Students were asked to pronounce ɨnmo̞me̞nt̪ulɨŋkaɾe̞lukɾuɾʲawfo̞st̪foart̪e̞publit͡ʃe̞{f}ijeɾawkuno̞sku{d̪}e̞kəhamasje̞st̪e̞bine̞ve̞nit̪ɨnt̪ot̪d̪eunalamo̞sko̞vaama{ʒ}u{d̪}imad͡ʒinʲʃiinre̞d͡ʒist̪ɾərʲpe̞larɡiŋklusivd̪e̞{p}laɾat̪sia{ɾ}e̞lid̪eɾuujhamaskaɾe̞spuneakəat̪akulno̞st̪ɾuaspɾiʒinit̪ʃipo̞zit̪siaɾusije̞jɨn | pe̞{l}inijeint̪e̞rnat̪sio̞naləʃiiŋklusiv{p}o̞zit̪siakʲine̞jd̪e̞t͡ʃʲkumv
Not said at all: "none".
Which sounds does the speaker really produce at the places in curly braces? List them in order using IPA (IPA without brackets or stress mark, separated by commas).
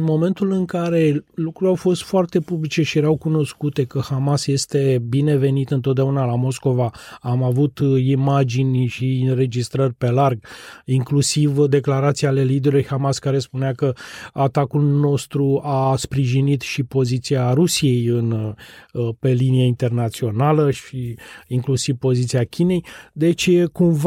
ʃ, t̪, v, t̪, k, l, l, p